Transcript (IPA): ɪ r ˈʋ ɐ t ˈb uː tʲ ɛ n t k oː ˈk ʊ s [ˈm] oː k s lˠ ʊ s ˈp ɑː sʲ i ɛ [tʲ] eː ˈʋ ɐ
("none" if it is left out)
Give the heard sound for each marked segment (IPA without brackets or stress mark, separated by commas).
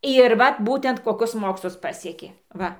m, kʲ